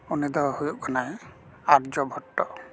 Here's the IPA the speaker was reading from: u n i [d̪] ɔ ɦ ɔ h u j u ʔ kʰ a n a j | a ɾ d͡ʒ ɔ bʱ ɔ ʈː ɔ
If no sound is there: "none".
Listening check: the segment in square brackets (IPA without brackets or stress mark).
d̪